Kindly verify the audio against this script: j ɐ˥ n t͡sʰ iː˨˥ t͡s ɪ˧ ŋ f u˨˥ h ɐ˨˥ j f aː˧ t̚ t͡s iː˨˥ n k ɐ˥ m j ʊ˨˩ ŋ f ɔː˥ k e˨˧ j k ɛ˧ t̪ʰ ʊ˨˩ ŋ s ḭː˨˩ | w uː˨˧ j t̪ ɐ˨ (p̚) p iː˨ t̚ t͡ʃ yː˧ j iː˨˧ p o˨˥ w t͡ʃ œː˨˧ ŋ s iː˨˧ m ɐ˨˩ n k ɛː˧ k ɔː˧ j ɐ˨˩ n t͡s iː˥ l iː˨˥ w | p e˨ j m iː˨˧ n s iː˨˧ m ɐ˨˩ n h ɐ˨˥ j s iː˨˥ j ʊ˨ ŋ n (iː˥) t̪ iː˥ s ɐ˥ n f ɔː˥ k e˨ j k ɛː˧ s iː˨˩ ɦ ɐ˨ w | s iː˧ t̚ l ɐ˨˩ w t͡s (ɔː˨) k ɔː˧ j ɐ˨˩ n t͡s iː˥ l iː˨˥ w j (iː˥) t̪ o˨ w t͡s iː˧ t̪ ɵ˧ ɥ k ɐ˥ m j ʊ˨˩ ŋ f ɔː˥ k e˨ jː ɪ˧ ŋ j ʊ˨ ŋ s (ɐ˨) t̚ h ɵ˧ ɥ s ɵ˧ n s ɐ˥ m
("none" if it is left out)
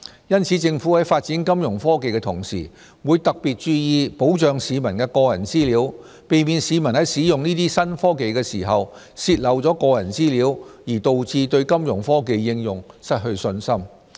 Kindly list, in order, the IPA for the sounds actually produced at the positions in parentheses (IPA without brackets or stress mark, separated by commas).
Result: k̚, iː˥, ɔː˨˥, iː˨˩, ɐ˥